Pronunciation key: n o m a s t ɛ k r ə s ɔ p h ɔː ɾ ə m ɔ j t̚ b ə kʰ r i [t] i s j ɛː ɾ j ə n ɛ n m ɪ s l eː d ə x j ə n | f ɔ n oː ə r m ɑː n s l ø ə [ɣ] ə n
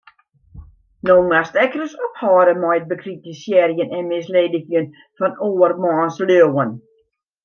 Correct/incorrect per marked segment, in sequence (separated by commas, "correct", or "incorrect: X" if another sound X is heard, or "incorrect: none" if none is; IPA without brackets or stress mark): correct, incorrect: w